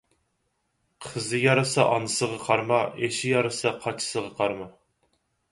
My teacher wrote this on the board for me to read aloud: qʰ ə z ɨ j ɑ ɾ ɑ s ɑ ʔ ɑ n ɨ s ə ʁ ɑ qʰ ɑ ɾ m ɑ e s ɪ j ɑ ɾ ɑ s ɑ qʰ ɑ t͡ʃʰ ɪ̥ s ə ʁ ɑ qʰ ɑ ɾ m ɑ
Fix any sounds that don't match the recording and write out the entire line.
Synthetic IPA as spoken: qʰ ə z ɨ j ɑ ɾ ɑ s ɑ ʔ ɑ n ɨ s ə ʁ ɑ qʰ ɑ ɾ m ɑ e ʃ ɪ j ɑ ɾ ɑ s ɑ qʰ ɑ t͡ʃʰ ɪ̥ s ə ʁ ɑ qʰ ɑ ɾ m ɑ